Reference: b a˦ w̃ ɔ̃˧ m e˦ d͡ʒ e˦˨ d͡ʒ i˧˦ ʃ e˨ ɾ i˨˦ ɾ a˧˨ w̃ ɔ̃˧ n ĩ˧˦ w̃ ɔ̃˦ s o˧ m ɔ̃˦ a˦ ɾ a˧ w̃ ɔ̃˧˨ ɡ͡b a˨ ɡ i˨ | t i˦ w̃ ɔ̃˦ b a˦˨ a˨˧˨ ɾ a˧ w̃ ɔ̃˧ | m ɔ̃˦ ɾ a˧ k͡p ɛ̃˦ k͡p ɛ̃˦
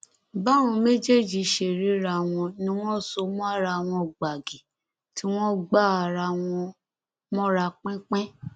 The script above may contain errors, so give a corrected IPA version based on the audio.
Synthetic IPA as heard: b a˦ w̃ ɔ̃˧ m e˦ d͡ʒ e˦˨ d͡ʒ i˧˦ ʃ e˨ ɾ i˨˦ ɾ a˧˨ w̃ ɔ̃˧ n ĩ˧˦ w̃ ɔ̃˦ s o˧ m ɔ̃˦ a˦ ɾ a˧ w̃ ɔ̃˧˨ ɡ͡b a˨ ɡ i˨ | t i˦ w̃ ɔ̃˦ ɡ͡b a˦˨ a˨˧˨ ɾ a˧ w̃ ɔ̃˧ | m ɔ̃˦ ɾ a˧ k͡p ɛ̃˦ k͡p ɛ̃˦

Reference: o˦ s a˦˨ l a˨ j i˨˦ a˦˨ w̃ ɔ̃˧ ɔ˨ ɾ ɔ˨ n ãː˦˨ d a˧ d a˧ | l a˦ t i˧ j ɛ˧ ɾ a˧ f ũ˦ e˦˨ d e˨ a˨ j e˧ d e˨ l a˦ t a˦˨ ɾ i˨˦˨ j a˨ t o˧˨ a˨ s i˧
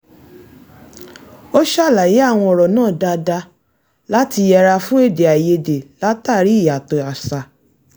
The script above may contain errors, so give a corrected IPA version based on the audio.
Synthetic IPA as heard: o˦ ʃ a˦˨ l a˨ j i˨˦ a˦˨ w̃ ɔ̃˧ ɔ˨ ɾ ɔ˨ n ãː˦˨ d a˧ d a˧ | l a˦ t i˧ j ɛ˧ ɾ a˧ f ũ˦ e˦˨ d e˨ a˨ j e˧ d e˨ l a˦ t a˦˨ ɾ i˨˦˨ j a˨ t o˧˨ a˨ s a˧

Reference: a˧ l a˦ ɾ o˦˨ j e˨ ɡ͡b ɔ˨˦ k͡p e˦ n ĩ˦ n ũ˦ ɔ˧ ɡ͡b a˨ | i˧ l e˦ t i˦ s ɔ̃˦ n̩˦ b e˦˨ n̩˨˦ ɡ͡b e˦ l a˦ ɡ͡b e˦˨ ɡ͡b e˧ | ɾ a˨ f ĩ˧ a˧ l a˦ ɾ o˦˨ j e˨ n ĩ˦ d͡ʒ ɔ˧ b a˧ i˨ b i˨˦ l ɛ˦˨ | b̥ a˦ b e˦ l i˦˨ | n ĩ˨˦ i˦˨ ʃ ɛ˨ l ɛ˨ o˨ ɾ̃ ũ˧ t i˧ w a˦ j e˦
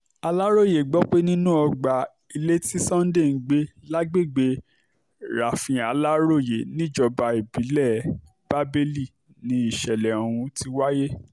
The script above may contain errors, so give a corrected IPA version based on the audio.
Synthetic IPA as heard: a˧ l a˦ ɾ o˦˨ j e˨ ɡ͡b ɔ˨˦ k͡p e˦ n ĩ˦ n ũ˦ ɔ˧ ɡ͡b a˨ | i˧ l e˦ t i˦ s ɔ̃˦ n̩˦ d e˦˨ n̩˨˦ ɡ͡b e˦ l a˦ ɡ͡b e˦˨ ɡ͡b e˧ | ɾ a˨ f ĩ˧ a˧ l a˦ ɾ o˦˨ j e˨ n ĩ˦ d͡ʒ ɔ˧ b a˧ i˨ b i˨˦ l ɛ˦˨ | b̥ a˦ b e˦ l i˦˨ | n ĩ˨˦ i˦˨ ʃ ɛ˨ l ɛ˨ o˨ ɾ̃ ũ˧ t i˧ w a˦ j e˦

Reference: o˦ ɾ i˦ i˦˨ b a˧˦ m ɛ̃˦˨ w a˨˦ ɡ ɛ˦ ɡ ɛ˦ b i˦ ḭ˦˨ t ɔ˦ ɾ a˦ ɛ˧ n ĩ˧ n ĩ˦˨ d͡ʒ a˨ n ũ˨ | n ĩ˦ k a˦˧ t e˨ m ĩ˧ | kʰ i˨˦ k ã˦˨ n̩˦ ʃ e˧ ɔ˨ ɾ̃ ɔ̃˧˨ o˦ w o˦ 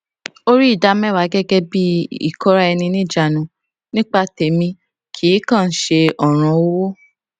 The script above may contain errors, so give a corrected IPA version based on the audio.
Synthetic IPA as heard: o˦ ɾ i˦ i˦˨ d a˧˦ m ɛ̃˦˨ w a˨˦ ɡ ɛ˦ ɡ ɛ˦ b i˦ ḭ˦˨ k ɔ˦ ɾ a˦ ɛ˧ n ĩ˧ n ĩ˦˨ d͡ʒ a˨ n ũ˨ | n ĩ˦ k͡p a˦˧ t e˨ m ĩ˧ | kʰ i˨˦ k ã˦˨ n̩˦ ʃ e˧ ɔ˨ ɾ̃ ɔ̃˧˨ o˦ w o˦

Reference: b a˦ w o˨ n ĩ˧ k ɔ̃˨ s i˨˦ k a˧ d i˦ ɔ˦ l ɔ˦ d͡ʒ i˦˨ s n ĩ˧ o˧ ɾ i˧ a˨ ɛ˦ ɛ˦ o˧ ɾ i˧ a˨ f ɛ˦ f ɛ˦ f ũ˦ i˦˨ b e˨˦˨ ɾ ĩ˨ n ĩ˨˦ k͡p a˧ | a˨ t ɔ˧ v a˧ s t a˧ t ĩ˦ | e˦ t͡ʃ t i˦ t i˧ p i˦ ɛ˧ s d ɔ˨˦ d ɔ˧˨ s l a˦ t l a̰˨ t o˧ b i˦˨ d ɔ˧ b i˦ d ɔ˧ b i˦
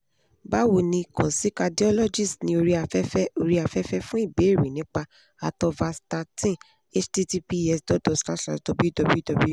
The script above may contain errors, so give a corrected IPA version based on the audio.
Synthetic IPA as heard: b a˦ w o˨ n ĩ˧ k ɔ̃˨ s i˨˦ k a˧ d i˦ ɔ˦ l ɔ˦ d͡ʒ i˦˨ s n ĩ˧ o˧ ɾ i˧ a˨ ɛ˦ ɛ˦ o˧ ɾ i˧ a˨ f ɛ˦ f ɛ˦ f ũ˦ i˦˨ b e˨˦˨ ɾ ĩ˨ n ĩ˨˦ k͡p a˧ | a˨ t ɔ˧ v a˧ s t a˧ t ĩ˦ | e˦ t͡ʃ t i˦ t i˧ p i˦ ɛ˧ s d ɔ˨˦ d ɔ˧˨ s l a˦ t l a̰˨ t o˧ b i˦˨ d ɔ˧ b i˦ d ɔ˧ b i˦

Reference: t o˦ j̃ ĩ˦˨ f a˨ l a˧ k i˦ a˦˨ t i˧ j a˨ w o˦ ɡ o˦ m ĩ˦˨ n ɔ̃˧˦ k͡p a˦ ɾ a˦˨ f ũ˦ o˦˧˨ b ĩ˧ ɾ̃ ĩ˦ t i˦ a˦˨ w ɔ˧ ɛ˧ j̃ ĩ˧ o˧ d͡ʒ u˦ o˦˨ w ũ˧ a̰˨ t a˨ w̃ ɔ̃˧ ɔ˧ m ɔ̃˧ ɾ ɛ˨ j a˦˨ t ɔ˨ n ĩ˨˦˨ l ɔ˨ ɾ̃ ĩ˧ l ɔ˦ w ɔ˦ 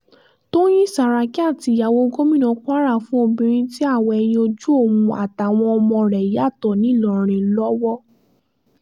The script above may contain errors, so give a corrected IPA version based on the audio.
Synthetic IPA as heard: t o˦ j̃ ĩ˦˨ s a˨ ɾ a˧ k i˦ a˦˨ t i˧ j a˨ w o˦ ɡ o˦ m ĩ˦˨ n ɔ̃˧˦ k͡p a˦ ɾ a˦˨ f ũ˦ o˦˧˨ b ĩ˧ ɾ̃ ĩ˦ t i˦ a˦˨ w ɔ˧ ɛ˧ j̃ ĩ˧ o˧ d͡ʒ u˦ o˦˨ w ũ˧ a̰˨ t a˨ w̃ ɔ̃˧ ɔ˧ m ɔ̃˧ ɾ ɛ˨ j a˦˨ t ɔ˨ n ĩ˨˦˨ l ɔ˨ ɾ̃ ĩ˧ l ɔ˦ w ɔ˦

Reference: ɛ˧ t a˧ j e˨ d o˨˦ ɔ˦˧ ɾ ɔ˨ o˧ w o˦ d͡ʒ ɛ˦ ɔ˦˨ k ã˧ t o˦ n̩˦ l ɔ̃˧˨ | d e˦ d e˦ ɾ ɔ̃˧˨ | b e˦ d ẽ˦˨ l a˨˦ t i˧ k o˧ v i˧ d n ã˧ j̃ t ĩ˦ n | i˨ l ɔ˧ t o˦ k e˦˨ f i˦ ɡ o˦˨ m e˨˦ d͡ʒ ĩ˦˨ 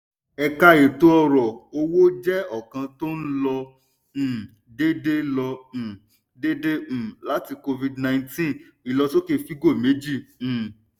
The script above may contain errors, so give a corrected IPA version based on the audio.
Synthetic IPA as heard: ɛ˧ k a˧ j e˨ t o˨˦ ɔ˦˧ ɾ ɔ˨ o˧ w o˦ d͡ʒ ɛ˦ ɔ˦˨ k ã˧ t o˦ n̩˦ l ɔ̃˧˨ | d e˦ d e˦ l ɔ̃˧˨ | d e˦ d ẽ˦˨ l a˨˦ t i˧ k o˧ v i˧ d n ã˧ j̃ t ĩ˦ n | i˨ l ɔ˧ t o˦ k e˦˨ f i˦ ɡ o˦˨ m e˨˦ d͡ʒ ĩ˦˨

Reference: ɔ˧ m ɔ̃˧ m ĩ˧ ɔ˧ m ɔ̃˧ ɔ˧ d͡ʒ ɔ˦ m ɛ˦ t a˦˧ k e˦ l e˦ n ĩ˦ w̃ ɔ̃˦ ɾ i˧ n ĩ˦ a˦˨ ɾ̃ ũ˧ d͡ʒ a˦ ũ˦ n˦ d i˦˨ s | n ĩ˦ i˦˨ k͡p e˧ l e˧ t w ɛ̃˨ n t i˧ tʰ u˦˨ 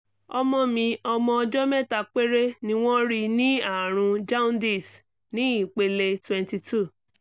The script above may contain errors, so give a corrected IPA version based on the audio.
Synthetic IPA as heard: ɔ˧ m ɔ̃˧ m ĩ˧ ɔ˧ m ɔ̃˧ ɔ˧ d͡ʒ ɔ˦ m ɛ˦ t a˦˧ k͡p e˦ ɾ e˦ n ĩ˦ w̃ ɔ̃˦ ɾ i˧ n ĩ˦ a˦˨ ɾ̃ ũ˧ d͡ʒ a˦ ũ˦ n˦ d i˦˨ s | n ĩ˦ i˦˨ k͡p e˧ l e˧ t w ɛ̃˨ n t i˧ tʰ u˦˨

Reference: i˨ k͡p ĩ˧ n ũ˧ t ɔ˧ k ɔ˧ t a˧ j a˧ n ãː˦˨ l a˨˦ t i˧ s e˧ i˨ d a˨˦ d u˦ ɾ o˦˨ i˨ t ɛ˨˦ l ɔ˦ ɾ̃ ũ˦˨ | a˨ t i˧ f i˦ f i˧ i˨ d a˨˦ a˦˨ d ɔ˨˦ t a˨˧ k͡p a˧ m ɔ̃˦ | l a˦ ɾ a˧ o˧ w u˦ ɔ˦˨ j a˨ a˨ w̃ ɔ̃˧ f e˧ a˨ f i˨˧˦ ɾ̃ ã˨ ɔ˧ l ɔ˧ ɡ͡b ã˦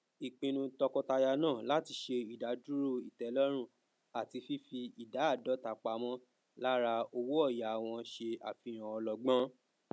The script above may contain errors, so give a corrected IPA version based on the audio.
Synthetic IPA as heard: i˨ k͡p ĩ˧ n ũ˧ t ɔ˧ k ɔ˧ t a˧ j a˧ n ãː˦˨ l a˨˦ t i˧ ʃ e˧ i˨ d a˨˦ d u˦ ɾ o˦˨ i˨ t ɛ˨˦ l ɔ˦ ɾ̃ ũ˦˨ | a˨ t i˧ f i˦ f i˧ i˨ d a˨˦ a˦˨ d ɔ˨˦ t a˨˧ k͡p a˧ m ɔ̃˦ | l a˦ ɾ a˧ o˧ w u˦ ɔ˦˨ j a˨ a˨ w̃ ɔ̃˧ ʃ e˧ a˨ f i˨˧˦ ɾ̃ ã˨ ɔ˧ l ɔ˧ ɡ͡b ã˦

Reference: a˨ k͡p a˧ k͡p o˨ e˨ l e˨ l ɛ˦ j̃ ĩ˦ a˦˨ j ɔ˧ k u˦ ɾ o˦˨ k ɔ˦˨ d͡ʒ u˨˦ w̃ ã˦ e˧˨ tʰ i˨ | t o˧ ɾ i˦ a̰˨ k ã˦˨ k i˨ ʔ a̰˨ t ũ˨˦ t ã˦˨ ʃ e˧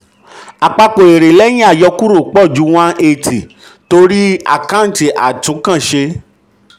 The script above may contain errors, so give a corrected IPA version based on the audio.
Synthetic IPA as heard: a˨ k͡p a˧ k͡p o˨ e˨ ɾ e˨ l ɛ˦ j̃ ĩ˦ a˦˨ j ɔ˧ k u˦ ɾ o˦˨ k͡p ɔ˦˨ d͡ʒ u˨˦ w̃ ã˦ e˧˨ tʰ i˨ | t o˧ ɾ i˦ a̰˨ k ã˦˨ t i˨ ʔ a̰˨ t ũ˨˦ k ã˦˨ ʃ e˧

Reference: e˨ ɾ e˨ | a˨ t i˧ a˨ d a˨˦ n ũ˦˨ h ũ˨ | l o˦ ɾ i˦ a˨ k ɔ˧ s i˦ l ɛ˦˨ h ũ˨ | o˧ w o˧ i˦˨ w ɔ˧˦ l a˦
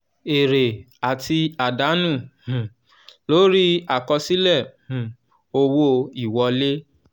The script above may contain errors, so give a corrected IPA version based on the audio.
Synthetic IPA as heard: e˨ ɾ e˨ | a˨ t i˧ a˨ d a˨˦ n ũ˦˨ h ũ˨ | l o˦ ɾ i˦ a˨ k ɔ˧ s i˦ l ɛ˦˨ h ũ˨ | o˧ w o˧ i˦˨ w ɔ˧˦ l e˦

